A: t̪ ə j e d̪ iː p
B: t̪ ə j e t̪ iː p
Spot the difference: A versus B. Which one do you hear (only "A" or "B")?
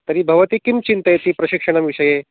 B